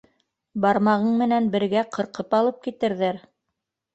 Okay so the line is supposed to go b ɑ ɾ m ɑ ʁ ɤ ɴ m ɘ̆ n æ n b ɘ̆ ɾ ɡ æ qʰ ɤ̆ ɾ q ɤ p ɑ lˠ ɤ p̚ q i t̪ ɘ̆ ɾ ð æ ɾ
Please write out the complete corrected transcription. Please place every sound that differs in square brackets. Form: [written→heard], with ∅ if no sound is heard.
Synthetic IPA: b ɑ ɾ m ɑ ʁ ɤ ɴ m ɘ̆ n æ n b ɘ̆ ɾ ɡ æ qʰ ɤ̆ ɾ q ɤ p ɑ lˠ ɤ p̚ [q→k] i t̪ ɘ̆ ɾ ð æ ɾ